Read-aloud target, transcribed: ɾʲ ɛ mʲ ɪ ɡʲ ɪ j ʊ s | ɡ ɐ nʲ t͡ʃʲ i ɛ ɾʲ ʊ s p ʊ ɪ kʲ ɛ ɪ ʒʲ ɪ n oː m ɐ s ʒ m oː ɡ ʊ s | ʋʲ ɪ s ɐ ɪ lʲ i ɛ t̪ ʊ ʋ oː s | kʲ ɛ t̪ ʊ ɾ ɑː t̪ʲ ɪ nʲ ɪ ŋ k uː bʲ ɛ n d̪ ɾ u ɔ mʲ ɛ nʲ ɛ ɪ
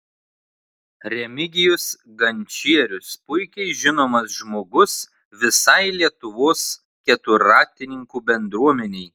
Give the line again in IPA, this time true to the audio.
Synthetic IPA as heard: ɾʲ ɛ mʲ ɪ ɡʲ ɪ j ʊ s | ɡ ɐ nʲ t͡ʃʲ i ɛ ɾʲ ʊ s p ʊ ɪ kʲ ɛ ɪ ʒʲ ɪ n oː m ɐ s ʒ m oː ɡ ʊ s | ʋʲ ɪ s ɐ ɪ lʲ i ɛ t̪ ʊ ʋ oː s | kʲ ɛ t̪ ʊ ɾ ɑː t̪ʲ ɪ nʲ ɪ ŋ k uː bʲ ɛ n d̪ ɾ u ɔ mʲ ɛ nʲ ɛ ɪ

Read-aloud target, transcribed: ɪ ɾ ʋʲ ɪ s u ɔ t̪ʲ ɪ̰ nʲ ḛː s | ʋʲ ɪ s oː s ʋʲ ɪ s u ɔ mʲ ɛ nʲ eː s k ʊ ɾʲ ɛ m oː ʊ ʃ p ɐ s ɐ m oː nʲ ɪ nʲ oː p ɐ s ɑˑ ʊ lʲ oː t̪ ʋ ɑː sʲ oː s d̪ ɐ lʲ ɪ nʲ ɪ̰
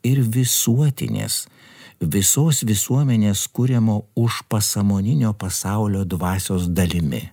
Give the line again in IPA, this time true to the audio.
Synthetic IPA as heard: ɪ ɾ ʋʲ ɪ s u ɔ t̪ʲ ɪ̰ nʲ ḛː s | ʋʲ ɪ s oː s ʋʲ ɪ s u ɔ mʲ ɛ nʲ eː s k ʊ ɾʲ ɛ m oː ʊ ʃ p ɐ s ɐ m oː nʲ ɪ nʲ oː p ɐ s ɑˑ ʊ lʲ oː d̪ ʋ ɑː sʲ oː s d̪ ɐ lʲ ɪ mʲ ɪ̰

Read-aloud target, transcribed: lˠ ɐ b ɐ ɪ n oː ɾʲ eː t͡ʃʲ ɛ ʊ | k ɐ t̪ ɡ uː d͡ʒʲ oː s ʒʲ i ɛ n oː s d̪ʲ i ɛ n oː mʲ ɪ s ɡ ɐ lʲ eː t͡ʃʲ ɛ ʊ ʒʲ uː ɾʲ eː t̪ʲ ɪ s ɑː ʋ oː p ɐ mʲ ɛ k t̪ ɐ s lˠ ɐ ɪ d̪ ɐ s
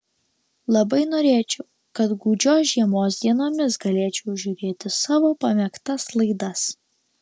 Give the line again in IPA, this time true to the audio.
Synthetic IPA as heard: lˠ ɐ b ɐ ɪ n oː ɾʲ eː t͡ʃʲ ɛ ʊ | k ɐ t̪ ɡ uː d͡ʒʲ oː s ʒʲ i ɛ m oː s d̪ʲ i ɛ n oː mʲ ɪ s ɡ ɐ lʲ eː t͡ʃʲ ɛ ʊ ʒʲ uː ɾʲ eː t̪ʲ ɪ s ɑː ʋ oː p ɐ mʲ ɛ k t̪ ɐ s lˠ ɐ ɪ d̪ ɐ s

